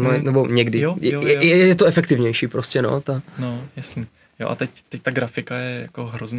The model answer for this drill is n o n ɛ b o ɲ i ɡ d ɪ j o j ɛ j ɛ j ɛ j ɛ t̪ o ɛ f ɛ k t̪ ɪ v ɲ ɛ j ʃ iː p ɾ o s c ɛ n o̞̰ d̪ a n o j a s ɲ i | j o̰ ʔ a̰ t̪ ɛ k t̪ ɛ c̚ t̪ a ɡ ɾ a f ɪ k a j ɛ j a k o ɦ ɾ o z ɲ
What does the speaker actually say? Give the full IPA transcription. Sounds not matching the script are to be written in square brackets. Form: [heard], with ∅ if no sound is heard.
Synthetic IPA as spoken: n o n ɛ b o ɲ [ɛ] ɡ d ɪ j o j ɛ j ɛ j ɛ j ɛ t̪ o ɛ f ɛ k t̪ ɪ v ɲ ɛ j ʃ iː p ɾ o s c ɛ n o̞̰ [t̪] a n o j a s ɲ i | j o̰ ʔ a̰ t̪ ɛ [c] t̪ ɛ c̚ t̪ a ɡ ɾ a f ɪ k a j ɛ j a k o ɦ ɾ o z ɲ